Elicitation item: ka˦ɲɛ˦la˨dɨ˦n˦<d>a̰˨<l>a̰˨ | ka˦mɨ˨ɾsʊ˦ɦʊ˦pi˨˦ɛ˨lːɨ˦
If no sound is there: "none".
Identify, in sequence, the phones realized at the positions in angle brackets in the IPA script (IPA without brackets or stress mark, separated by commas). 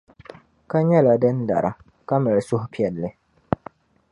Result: d, ɾ